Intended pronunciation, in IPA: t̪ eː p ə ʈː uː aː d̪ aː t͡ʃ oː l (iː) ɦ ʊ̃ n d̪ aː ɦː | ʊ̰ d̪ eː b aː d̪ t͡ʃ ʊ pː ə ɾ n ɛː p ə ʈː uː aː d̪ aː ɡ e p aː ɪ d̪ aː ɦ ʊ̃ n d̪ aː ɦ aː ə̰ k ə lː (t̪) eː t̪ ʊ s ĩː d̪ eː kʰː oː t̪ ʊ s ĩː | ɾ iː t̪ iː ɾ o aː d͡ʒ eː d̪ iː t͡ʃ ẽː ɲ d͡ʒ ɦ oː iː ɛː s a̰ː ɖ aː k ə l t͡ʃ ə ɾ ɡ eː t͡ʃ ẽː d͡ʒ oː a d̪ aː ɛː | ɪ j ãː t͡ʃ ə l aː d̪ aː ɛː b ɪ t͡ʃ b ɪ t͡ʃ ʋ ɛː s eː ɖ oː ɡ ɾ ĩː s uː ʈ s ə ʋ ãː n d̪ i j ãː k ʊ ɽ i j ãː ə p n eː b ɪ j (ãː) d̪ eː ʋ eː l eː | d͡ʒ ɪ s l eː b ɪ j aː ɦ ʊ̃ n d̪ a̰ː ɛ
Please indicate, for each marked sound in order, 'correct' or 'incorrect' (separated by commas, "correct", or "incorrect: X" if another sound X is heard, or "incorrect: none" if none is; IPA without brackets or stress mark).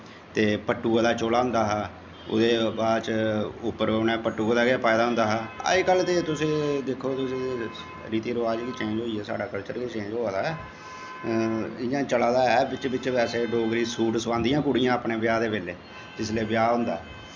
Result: incorrect: aː, correct, incorrect: aː